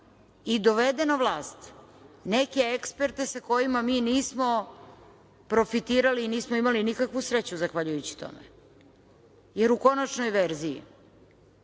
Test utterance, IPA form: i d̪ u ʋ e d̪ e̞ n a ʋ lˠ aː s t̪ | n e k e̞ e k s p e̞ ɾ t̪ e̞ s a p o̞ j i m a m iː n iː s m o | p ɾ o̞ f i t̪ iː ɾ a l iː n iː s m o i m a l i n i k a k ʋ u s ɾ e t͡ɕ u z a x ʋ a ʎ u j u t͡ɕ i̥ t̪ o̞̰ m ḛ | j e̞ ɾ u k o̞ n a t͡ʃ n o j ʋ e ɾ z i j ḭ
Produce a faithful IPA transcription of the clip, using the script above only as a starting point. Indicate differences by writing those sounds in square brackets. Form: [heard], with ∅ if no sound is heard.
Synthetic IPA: i d̪ [o] ʋ e d̪ e̞ n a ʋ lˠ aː s t̪ | n e k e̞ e k s p e̞ ɾ t̪ e̞ s a [k] o̞ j i m a m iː n iː s m o | p ɾ o̞ f i t̪ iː ɾ a l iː n iː s m o i m a l i n i k a k ʋ u s ɾ e t͡ɕ u z a x ʋ a ʎ u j u t͡ɕ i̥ t̪ o̞̰ m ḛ | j e̞ ɾ u k o̞ n a t͡ʃ n o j ʋ e ɾ z i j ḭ